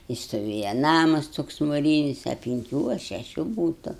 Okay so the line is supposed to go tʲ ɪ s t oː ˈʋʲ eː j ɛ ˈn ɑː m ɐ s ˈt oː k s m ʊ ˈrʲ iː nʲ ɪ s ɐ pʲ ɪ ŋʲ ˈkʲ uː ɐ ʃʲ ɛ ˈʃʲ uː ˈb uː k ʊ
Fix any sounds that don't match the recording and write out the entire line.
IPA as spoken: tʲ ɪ s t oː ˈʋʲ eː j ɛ ˈn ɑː m ɐ s ˈt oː k s m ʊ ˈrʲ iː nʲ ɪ s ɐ pʲ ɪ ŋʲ ˈkʲ uː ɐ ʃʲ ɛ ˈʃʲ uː ˈb uː t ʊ